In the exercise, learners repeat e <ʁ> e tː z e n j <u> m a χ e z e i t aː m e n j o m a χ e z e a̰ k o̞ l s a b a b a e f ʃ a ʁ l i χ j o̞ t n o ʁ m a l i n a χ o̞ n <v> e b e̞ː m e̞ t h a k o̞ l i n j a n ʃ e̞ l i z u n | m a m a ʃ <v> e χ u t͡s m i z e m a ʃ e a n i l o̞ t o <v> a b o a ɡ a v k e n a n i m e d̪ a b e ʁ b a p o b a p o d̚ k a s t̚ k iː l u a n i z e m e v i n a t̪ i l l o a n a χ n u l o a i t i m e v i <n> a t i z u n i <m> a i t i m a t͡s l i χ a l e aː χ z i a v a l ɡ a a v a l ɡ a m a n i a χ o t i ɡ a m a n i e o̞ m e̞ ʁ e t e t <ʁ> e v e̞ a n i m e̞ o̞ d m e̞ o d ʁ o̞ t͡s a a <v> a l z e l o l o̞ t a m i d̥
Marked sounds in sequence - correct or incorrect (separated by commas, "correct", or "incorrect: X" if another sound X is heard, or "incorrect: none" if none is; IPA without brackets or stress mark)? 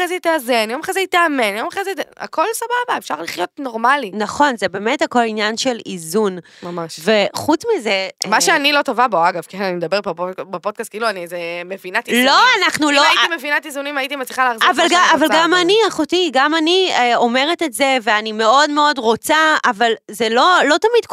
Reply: incorrect: z, incorrect: o, incorrect: z, correct, correct, correct, correct, incorrect: z, correct